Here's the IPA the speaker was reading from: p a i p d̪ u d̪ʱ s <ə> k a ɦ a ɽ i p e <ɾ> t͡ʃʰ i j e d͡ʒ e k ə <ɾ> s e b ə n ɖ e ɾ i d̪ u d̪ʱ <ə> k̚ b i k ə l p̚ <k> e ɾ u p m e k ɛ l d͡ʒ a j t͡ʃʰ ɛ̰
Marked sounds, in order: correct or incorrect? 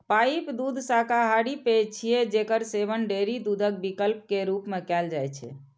incorrect: a, incorrect: none, correct, correct, correct

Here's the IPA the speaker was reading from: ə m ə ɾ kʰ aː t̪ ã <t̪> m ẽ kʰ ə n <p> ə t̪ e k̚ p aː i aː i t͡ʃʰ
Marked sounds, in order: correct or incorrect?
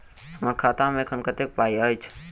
incorrect: none, incorrect: k

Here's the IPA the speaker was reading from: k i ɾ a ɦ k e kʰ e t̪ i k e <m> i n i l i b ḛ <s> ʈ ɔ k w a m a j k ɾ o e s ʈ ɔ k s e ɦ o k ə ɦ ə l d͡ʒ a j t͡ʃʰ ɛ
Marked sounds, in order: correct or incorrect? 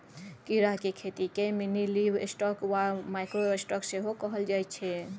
correct, correct

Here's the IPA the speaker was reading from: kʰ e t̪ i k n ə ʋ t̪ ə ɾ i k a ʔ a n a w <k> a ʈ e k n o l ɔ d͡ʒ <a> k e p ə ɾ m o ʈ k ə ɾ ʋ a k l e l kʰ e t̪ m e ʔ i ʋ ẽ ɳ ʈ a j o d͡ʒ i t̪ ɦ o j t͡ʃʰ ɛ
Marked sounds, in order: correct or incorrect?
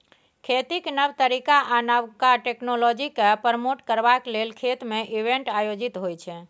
correct, incorrect: i

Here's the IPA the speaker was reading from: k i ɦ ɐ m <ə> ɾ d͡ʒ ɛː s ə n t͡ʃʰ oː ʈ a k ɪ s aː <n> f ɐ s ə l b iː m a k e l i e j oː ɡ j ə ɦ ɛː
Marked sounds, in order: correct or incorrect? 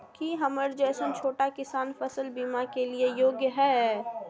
correct, correct

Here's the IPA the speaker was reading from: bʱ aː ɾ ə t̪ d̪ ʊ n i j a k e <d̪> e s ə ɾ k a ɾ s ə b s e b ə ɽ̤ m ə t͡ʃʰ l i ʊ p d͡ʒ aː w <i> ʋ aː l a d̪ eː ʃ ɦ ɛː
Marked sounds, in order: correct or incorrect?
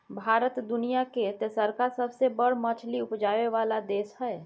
incorrect: t̪, incorrect: e

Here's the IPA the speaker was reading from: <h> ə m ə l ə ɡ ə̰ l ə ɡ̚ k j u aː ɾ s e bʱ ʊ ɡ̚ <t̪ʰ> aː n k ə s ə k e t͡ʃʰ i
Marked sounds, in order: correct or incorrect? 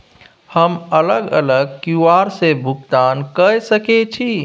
correct, incorrect: t̪

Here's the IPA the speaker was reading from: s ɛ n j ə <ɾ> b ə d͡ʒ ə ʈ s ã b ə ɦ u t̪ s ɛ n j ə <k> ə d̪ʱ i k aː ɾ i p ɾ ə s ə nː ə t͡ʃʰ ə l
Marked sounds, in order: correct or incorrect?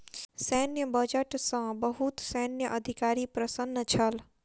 incorrect: none, incorrect: ʔ

